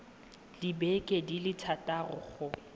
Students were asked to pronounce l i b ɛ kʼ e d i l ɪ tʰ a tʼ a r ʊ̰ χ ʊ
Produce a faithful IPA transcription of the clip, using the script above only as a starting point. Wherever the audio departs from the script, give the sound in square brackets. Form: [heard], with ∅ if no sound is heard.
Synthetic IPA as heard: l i b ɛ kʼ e d i l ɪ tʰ a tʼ a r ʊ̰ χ ʊ